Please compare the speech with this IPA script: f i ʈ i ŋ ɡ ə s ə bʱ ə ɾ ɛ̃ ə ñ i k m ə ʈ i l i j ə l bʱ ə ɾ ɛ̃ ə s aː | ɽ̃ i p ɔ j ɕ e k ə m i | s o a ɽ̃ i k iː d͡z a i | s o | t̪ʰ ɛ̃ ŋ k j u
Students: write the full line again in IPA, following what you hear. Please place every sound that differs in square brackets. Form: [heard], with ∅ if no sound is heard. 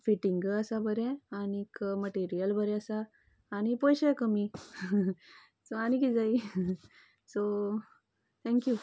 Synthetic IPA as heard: f i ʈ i ŋ ɡ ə s [a] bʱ ə ɾ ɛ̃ [a] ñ i k m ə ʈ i [ɾ] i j ə l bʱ ə ɾ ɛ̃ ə s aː | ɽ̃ i p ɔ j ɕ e k ə m i | s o a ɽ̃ i k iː d͡z a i | s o | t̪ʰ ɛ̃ ŋ k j u